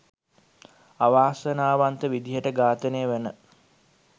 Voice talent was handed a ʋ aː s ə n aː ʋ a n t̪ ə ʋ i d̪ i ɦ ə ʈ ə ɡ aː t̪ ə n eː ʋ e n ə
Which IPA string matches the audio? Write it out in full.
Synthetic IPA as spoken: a ʋ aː s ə n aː ʋ a n t̪ ə ʋ i d̪ i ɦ ə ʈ ə ɡ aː t̪ ə n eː ʋ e n ə